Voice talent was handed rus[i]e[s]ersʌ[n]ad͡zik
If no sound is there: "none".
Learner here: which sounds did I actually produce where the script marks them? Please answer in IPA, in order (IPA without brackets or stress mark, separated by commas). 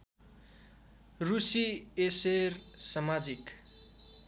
i, s, m